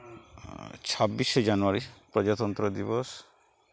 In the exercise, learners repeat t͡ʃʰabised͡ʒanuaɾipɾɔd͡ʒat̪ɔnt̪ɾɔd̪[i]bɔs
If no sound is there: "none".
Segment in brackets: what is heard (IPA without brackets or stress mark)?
i